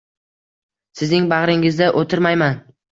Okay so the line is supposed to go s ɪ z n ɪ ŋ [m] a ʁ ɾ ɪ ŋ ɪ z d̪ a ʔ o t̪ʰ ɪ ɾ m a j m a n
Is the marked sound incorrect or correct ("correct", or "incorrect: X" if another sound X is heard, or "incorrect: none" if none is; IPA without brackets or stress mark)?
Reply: incorrect: b